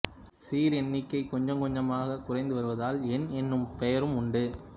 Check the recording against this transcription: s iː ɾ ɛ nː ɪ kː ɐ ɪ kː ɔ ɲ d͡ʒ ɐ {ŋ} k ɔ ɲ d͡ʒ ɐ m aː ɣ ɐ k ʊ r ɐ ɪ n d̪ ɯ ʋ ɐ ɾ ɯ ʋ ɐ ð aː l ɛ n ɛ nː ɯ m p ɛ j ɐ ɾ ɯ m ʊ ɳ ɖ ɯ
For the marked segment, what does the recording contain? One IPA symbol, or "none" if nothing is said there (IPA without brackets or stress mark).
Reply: ŋ